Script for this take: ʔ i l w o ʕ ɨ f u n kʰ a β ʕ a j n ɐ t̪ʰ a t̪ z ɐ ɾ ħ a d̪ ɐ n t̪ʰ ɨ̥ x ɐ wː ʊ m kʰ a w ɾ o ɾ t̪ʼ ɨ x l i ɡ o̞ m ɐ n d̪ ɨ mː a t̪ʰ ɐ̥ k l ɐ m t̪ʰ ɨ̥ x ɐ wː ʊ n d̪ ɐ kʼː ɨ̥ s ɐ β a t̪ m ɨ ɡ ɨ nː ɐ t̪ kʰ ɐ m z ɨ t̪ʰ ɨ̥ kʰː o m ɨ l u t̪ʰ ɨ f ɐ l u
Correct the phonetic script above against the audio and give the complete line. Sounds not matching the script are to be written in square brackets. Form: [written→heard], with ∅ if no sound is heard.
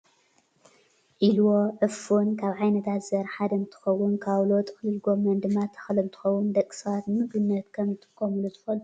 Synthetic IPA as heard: ʔ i l w o ʕ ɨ f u n kʰ a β ʕ a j n ɐ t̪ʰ a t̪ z ɐ ɾ ħ a d̪ ɐ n t̪ʰ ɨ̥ x ɐ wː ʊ [m→n] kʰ a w [ɾ→l] o [ɾ→∅] t̪ʼ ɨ x l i ɡ o̞ m ɐ n d̪ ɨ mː a t̪ʰ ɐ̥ [k→x] l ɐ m t̪ʰ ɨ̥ x ɐ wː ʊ n d̪ ɐ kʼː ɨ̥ s ɐ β a t̪ m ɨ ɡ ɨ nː ɐ t̪ kʰ ɐ m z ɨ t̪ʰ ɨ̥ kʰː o m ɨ l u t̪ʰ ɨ f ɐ l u